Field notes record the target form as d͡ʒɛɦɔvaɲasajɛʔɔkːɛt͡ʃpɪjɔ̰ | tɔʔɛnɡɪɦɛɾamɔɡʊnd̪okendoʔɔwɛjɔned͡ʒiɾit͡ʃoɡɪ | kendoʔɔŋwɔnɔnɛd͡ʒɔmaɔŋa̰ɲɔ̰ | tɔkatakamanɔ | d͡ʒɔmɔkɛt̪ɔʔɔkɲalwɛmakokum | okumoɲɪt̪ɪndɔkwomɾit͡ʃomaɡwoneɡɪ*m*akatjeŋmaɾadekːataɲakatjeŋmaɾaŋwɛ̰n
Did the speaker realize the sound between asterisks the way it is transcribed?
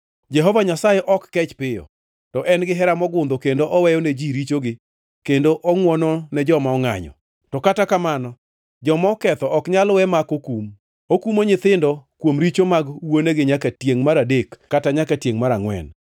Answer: no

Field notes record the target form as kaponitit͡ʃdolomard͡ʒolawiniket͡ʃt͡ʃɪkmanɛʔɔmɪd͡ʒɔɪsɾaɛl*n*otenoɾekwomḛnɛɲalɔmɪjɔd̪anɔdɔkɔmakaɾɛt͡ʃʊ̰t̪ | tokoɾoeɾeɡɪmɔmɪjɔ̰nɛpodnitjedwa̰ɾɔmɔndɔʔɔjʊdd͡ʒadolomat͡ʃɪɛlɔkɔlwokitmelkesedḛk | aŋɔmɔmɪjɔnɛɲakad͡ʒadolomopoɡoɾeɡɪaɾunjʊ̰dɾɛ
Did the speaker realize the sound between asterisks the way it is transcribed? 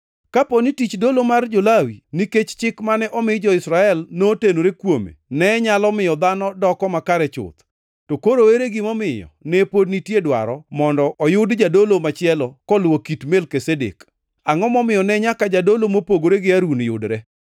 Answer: yes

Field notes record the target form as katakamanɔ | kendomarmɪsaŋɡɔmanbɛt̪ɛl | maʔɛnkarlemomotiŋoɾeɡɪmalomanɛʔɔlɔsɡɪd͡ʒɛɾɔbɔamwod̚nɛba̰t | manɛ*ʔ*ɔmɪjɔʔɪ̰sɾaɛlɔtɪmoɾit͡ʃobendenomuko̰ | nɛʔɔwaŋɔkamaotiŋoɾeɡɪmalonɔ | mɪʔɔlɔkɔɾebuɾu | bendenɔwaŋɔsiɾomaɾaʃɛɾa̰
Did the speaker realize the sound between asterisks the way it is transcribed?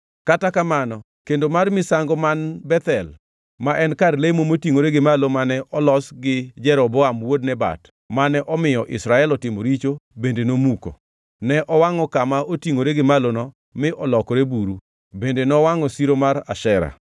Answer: yes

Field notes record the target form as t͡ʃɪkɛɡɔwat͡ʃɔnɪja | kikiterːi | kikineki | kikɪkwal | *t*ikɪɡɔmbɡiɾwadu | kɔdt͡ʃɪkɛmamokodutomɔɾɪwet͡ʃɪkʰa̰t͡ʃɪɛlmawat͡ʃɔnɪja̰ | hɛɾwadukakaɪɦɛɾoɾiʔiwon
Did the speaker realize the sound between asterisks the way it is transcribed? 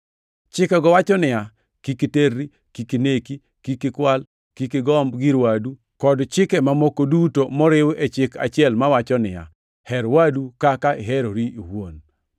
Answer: no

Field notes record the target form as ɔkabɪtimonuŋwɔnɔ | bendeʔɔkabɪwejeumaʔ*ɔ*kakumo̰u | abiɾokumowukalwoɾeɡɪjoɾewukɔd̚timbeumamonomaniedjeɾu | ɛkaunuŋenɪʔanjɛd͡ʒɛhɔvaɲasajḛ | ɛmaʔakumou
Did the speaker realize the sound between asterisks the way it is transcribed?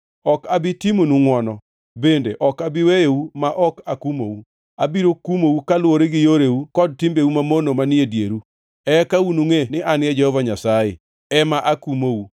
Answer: yes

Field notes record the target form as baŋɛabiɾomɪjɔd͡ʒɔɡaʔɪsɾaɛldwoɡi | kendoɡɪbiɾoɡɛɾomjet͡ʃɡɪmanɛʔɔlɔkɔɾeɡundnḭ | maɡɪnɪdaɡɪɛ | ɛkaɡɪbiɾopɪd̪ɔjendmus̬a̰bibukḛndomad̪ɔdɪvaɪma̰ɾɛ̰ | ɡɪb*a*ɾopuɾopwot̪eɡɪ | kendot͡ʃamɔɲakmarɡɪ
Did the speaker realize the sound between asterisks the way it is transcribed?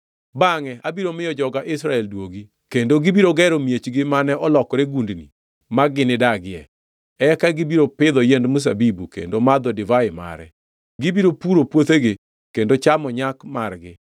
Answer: no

